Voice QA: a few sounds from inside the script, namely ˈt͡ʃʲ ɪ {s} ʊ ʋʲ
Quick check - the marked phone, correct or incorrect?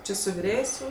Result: correct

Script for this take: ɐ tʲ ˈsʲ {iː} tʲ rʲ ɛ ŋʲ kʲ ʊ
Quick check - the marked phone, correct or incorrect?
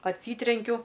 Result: correct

